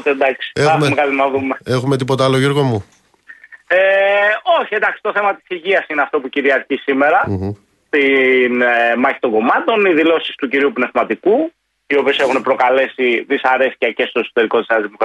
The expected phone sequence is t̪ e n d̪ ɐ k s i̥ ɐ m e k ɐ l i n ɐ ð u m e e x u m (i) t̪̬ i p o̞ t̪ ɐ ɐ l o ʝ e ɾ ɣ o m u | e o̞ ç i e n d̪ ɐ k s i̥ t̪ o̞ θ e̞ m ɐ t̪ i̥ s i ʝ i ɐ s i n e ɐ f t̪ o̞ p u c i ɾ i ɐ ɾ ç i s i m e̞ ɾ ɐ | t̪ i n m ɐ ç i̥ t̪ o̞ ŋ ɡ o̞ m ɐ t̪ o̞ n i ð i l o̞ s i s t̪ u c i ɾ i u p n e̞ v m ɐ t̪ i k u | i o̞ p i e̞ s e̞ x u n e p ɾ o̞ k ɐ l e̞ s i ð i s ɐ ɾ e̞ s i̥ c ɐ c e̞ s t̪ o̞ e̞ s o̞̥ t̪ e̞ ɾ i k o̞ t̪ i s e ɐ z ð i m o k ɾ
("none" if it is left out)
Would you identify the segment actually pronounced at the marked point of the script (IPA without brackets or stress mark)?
e